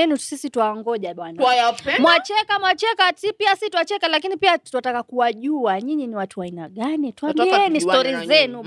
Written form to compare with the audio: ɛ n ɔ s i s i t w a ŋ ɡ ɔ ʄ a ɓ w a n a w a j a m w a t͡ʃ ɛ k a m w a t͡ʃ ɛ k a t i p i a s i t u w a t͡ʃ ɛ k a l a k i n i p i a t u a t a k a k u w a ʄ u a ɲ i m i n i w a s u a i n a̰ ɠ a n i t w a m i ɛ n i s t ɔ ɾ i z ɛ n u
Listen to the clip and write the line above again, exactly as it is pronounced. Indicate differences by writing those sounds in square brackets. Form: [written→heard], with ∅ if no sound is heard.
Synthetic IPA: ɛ n [ɔ→u] s i s i t w a ŋ ɡ ɔ ʄ a ɓ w a n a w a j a m w a t͡ʃ ɛ k a m w a t͡ʃ ɛ k a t i p i a s i t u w a t͡ʃ ɛ k a l a k i n i p i a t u a t a k a k u w a ʄ u a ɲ i [m→ɲ] i n i w a [s→t] u a i n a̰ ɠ a n i t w a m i ɛ n i s t ɔ ɾ i z ɛ n u